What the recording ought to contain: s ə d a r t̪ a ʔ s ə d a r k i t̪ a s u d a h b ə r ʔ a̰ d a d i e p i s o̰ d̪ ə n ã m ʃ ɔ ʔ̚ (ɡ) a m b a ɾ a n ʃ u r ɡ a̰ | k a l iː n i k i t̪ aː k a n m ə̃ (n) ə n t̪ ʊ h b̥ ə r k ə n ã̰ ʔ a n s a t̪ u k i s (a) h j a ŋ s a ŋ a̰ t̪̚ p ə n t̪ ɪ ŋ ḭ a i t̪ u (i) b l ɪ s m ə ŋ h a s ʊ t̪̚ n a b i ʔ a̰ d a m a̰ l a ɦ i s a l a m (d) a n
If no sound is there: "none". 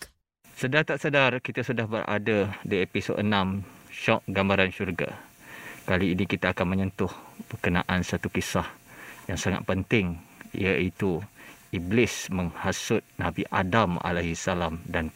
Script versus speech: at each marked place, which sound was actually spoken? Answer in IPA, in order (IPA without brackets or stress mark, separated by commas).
ɡ, ɲ, a, i, d